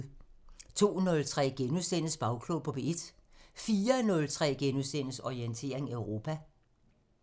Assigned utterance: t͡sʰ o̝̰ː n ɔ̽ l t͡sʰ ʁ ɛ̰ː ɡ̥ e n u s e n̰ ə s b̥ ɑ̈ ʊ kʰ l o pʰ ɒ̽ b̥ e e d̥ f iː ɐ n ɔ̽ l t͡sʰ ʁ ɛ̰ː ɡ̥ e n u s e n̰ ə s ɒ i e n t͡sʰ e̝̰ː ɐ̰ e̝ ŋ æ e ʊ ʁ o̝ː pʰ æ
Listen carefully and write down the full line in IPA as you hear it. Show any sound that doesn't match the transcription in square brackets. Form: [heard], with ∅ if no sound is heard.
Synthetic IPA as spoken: t͡sʰ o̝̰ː n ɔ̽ l t͡sʰ ʁ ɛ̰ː ɡ̥ e n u s e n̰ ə s b̥ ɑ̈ ʊ kʰ l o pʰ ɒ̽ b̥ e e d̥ f iː ɐ n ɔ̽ l t͡sʰ ʁ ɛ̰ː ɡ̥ e n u s e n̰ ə s ɒ i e n t͡sʰ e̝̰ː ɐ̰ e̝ ŋ æ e ʊ ʁ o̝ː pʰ æ